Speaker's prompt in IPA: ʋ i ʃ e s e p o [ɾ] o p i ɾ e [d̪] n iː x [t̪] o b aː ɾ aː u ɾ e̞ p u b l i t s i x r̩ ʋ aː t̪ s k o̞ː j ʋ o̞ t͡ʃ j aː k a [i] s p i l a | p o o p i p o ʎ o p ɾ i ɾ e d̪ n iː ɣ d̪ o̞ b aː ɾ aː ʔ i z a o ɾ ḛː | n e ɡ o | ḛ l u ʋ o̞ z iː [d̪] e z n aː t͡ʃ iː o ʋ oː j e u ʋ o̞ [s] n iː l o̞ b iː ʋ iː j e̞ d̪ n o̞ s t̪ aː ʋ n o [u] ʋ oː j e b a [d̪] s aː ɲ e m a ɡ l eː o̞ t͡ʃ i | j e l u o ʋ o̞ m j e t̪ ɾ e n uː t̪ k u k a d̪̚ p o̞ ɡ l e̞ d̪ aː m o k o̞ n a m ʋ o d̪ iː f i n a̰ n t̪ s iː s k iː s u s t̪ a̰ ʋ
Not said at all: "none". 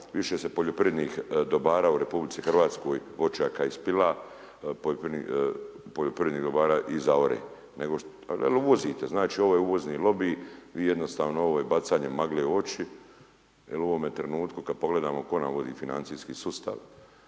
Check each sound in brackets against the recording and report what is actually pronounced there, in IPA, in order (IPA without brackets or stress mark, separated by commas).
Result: ʎ, d̪, d̪, i, t̪, z, o, t̪